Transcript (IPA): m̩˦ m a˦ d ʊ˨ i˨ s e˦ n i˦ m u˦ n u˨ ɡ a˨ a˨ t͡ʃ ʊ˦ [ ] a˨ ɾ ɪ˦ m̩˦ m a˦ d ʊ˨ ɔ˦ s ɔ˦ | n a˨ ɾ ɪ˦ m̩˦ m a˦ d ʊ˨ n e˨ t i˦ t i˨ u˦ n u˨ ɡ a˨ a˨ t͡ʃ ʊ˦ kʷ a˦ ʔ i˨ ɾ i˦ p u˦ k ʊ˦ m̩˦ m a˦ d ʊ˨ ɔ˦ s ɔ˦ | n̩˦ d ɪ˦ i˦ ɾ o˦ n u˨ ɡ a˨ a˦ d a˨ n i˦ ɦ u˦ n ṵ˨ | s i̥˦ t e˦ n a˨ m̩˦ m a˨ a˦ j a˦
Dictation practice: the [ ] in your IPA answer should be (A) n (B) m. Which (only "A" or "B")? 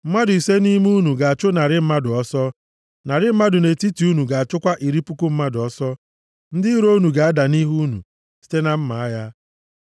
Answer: A